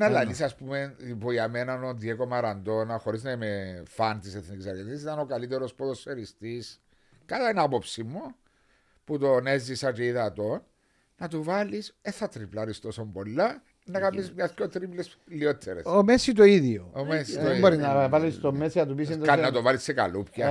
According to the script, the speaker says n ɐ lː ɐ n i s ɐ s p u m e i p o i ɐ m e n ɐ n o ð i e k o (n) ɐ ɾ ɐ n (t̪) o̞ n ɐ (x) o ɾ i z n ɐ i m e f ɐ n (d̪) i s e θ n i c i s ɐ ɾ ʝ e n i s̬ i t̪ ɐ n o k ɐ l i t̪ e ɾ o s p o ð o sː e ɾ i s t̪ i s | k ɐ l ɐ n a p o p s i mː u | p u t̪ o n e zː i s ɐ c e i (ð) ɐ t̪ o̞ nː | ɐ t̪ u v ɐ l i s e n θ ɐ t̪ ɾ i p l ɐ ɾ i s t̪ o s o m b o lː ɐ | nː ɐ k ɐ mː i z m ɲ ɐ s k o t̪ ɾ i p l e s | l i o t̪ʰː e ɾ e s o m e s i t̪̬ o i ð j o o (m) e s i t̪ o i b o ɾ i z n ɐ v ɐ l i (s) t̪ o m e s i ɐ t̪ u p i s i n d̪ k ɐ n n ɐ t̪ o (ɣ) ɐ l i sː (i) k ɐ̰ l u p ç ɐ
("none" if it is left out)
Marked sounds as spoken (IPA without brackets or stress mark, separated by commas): m, d̪, x, t̪, ð, m, s, v, e